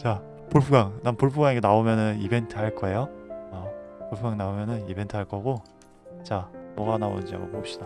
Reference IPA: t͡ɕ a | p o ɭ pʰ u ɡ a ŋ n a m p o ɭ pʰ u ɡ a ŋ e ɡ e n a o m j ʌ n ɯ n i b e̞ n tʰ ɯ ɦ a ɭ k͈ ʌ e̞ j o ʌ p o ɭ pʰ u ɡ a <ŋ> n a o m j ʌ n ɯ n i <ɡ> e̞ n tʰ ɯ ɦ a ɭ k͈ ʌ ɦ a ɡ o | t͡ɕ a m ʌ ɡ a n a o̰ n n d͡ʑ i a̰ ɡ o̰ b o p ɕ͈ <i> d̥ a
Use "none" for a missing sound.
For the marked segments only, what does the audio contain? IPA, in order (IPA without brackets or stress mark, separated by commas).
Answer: ŋ, b, i